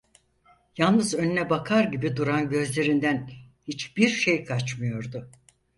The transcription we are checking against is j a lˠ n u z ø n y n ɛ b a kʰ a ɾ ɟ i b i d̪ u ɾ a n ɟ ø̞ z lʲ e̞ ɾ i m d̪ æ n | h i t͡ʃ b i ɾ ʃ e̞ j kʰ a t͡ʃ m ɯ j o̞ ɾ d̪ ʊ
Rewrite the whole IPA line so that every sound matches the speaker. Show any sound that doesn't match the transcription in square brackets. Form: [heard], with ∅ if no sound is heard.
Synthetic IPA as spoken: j a lˠ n [ɯ] z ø n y n ɛ b a kʰ a ɾ ɟ i b i d̪ u ɾ a n ɟ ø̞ z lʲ e̞ ɾ i [n] d̪ æ n | h i t͡ʃ b i ɾ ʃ e̞ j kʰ a t͡ʃ m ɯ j o̞ ɾ d̪ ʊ

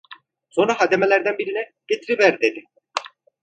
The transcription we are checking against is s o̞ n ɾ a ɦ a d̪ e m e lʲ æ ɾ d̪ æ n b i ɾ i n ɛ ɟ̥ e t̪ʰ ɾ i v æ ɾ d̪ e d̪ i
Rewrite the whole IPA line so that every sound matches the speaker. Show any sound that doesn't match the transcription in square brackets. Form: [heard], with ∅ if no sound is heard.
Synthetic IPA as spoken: s o̞ n ɾ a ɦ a d̪ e m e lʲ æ ɾ d̪ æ n b i ɾ i n ɛ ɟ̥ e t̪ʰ ɾ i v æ ɾ d̪ e d̪ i

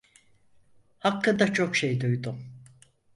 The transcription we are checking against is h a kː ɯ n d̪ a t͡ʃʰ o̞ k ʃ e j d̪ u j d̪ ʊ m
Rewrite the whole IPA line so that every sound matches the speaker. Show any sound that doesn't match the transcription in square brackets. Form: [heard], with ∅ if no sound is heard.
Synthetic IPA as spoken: h a kː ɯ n d̪ a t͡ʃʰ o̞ k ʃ e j d̪ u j d̪ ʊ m

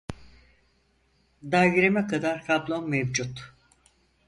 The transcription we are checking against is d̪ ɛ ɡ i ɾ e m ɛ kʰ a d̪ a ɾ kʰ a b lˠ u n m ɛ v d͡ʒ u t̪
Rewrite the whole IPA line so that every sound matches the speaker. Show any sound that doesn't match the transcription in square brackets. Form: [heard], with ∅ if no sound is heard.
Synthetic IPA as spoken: d̪ [a] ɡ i ɾ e m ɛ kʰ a d̪ a ɾ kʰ a b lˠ [o] n m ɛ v d͡ʒ u t̪

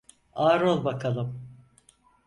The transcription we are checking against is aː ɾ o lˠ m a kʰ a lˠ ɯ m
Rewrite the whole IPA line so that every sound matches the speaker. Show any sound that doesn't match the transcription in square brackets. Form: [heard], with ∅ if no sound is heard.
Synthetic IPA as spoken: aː ɾ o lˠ [b] a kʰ a lˠ ɯ m

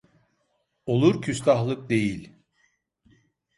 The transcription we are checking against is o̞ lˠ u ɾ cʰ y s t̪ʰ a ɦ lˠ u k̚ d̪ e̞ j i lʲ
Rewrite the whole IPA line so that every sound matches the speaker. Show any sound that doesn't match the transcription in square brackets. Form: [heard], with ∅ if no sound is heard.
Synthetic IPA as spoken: o̞ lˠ u ɾ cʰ y s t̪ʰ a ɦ lˠ [ɯ] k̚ d̪ e̞ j i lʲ

